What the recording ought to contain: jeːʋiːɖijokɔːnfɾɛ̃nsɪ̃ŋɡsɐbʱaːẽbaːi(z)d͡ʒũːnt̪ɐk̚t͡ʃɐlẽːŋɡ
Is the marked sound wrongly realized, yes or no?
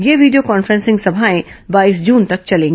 yes